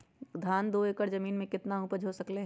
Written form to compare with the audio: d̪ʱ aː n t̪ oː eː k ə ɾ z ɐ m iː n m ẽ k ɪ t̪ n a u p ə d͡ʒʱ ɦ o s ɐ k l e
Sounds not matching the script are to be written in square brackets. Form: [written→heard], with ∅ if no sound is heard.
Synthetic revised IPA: d̪ʱ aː n [t̪→d̪] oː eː k ə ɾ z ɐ m iː n m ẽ k ɪ t̪ n a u p ə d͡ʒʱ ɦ o s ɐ k l e